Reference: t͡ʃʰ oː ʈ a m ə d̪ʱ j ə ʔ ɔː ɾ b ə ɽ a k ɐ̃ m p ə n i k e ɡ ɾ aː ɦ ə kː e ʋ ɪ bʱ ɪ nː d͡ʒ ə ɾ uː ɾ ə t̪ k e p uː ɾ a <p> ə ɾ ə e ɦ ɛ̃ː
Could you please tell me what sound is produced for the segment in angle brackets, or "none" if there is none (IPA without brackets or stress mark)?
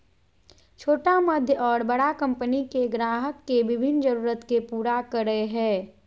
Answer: k